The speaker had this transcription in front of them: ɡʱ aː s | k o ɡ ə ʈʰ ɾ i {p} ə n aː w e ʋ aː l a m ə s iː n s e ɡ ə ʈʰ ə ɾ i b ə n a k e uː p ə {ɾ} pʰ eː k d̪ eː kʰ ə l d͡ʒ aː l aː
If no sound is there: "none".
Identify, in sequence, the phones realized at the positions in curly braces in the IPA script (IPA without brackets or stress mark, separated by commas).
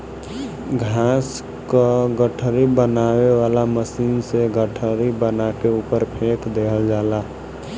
b, ɾ